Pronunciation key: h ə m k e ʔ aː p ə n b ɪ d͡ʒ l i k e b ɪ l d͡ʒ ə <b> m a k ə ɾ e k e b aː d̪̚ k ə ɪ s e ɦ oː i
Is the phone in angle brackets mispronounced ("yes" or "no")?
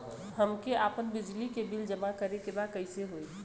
yes